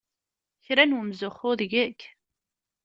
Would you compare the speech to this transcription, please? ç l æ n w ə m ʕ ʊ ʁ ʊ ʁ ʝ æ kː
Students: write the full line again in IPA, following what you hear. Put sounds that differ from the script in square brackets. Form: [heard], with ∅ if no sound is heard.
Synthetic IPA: ç [ɾ] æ n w ə m [z] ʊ [χ] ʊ [ð] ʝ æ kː